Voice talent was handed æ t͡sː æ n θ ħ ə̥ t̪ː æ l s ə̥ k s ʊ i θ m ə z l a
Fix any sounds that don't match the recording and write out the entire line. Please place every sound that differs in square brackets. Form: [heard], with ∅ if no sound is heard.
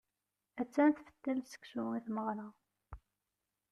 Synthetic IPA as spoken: æ t͡sː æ n θ [f] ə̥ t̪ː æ l s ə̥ k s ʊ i θ m ə [ʁ] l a